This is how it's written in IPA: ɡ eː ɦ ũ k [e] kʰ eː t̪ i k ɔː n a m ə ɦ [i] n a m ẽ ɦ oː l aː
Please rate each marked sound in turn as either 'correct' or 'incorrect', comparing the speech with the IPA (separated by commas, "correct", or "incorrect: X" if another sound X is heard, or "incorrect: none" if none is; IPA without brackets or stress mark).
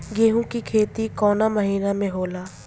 incorrect: i, incorrect: iː